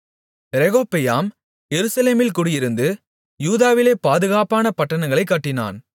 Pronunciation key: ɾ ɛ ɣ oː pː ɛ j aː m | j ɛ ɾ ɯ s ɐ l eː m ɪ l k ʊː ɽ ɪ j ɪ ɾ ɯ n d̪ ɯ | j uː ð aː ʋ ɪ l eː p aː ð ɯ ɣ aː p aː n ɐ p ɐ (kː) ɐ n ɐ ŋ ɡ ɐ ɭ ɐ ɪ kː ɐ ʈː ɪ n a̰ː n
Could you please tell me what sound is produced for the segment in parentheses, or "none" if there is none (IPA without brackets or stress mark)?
ʈː